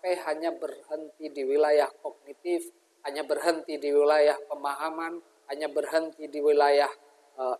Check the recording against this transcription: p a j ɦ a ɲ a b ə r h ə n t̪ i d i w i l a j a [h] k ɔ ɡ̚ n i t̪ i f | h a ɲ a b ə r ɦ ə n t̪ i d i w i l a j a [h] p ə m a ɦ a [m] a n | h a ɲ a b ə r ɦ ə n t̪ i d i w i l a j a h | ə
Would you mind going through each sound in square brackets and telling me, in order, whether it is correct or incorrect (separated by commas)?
correct, correct, correct